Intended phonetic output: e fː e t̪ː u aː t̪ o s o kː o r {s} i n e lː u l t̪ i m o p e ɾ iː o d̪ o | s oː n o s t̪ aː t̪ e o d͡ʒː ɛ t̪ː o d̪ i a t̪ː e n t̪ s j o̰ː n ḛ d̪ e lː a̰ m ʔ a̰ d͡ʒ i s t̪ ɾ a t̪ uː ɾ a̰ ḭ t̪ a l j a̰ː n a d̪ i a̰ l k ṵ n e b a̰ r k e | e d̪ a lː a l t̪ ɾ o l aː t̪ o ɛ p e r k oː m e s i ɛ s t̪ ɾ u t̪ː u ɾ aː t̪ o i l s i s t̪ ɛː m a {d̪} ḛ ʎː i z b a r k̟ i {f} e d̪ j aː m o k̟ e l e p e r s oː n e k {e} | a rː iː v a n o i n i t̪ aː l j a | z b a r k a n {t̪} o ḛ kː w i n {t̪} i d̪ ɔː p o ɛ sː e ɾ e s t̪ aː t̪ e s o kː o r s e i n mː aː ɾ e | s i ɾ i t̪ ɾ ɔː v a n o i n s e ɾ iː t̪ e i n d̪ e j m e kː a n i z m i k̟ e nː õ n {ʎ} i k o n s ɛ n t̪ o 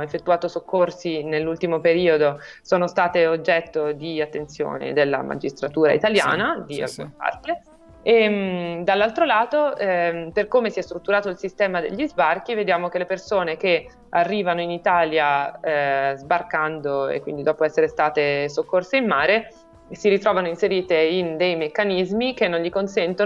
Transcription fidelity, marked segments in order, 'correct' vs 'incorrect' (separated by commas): correct, correct, incorrect, correct, incorrect, incorrect, correct